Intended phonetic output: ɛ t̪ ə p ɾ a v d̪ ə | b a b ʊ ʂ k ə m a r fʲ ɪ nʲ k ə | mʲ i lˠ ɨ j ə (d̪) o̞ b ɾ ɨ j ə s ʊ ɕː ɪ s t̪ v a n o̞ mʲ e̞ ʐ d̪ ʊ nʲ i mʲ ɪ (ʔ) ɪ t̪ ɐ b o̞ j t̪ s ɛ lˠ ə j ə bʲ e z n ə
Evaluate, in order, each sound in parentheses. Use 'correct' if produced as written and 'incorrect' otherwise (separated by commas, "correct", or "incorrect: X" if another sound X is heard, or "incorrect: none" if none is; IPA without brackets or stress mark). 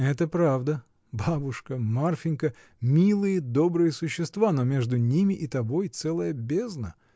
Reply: correct, correct